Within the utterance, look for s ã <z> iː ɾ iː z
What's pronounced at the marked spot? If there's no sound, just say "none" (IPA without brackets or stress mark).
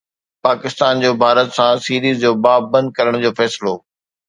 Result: s